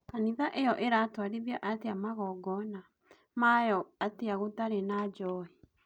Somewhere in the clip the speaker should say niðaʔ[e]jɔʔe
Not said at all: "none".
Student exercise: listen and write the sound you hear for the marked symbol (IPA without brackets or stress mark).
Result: e